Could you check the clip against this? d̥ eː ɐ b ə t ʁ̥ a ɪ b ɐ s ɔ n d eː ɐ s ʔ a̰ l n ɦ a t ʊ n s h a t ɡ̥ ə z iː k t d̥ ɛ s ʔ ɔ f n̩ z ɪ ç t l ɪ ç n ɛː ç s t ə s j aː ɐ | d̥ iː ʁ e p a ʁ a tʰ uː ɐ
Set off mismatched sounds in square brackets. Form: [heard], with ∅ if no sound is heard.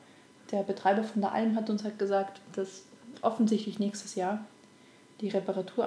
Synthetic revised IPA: d̥ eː ɐ b ə t ʁ̥ a ɪ b ɐ [f] ɔ n d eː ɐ [∅] ʔ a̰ l [m] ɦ a t ʊ n s h a t ɡ̥ ə z [aː] k t d̥ [a] s ʔ ɔ f n̩ z ɪ ç t l ɪ ç n ɛː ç s t ə s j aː ɐ | d̥ iː ʁ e p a ʁ a tʰ uː ɐ